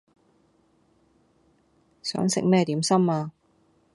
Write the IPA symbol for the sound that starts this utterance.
s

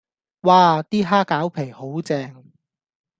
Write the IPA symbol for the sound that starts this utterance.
w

